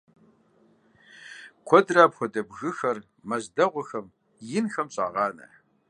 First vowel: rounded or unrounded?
rounded